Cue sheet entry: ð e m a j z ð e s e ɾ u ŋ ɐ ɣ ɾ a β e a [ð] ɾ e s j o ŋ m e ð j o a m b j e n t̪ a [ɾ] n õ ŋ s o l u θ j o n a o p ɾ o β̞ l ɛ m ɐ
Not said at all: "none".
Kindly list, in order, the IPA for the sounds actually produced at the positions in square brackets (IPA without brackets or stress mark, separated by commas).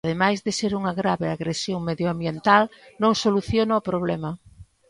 ɣ, l